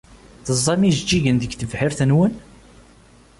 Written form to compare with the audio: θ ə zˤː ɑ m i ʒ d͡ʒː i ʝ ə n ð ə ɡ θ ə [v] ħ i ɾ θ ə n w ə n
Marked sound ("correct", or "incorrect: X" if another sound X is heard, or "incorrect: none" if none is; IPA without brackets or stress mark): correct